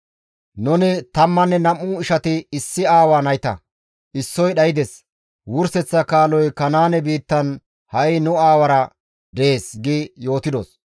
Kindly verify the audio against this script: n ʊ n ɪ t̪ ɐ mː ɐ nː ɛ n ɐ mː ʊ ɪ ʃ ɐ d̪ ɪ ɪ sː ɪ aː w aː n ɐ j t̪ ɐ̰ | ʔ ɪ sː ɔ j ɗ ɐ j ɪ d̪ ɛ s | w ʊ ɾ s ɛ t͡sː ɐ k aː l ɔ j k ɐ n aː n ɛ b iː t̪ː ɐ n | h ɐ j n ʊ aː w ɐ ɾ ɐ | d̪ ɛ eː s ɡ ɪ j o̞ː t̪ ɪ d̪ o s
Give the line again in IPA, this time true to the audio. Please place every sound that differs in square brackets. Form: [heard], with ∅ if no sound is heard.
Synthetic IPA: n ʊ n ɪ t̪ ɐ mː ɐ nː ɛ n ɐ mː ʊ ɪ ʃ ɐ [t̪] ɪ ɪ sː ɪ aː w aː n ɐ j t̪ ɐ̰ | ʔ ɪ sː ɔ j ɗ ɐ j ɪ d̪ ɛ s | w ʊ ɾ s ɛ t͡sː ɐ k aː l ɔ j k ɐ n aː n ɛ b iː t̪ː ɐ n | h ɐ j n ʊ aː w ɐ ɾ ɐ | d̪ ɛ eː s ɡ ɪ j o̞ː t̪ ɪ d̪ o s